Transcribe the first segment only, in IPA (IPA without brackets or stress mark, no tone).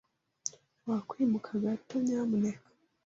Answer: w